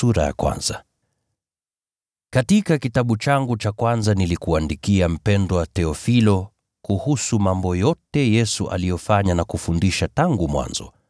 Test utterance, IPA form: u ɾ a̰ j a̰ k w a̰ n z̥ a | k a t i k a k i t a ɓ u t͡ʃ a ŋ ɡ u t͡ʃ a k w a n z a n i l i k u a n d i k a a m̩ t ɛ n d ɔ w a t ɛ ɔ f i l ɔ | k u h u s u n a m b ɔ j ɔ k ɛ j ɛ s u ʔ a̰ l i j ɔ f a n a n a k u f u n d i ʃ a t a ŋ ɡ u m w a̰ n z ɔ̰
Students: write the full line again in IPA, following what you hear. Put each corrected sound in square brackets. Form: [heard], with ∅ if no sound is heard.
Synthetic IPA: u ɾ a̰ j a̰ k w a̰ n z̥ a | k a t i k a k i t a ɓ u t͡ʃ a ŋ ɡ u t͡ʃ a k w a n z a n i l i k u a n d i k [i] a m̩ [p] ɛ n d ɔ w a t ɛ ɔ f i l ɔ | k u h u s u [m] a m b ɔ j ɔ [t] ɛ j ɛ s u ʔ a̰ l i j ɔ f a [ɲ] a n a k u f u n d i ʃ a t a ŋ ɡ u m w a̰ n z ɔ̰